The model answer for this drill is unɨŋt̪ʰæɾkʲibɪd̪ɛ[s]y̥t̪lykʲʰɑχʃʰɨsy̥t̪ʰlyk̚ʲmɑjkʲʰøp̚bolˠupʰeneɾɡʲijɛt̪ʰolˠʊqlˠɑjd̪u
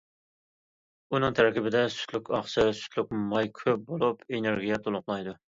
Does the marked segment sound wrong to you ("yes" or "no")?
no